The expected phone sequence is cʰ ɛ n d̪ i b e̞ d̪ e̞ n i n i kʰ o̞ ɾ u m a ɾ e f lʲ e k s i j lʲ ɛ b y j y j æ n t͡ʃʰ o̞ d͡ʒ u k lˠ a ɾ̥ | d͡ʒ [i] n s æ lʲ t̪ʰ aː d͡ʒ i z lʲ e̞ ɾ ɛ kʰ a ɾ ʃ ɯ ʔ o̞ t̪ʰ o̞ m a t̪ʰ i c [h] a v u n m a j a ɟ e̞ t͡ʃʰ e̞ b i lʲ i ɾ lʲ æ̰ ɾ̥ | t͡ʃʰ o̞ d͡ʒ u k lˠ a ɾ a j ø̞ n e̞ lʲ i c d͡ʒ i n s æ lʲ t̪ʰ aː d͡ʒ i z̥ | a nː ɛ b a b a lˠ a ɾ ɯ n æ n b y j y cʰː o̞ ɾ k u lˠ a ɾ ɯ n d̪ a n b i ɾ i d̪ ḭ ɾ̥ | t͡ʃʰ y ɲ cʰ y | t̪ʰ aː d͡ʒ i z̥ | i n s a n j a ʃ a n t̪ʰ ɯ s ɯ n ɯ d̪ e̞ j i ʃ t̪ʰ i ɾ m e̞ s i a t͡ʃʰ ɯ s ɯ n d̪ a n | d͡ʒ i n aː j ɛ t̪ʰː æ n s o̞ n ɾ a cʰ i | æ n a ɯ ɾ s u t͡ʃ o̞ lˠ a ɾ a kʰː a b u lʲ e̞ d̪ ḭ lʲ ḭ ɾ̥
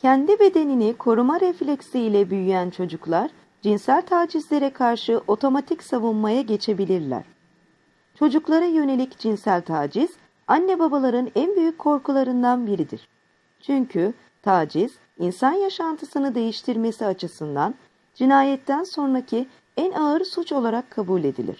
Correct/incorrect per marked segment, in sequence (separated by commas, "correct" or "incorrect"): correct, incorrect